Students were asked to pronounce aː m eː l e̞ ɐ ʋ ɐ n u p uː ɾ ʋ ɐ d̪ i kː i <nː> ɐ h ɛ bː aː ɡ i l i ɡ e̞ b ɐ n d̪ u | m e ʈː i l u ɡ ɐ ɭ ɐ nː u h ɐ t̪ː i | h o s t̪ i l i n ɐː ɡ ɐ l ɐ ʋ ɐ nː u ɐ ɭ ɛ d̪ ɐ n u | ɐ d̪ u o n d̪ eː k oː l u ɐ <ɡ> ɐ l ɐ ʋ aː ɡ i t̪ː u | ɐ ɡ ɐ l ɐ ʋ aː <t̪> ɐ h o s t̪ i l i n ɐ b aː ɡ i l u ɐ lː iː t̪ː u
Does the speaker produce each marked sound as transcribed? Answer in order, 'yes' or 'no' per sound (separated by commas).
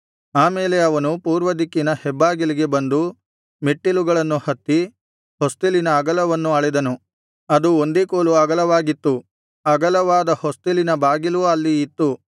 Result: no, yes, no